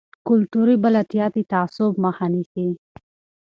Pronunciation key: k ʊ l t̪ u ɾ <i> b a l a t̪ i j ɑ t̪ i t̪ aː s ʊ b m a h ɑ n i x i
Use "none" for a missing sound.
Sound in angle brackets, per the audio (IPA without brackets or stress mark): i